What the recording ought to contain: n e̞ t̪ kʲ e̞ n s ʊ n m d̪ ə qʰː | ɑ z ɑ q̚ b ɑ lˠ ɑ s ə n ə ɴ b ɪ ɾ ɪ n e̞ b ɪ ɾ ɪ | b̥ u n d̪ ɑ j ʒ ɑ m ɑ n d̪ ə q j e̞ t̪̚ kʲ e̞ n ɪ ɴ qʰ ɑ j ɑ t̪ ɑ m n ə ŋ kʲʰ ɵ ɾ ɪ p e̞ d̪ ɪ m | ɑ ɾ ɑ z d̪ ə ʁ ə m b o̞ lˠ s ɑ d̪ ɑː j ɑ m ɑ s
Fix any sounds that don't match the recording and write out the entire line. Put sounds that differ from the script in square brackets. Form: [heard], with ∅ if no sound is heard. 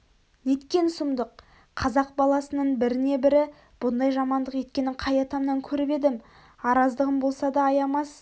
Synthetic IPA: n e̞ t̪ kʲ e̞ n s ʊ [∅] m d̪ ə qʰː | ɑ z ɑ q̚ b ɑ lˠ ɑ s ə n ə ɴ b ɪ ɾ ɪ n e̞ b ɪ ɾ ɪ | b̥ [ʊ] n d̪ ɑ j ʒ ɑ m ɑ n d̪ ə q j e̞ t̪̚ kʲ e̞ n ɪ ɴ qʰ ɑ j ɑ t̪ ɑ m n [ɑ] ŋ kʲʰ ɵ ɾ ɪ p e̞ d̪ ɪ m | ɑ ɾ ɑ z d̪ ə ʁ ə m b o̞ lˠ s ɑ d̪ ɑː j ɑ m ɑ s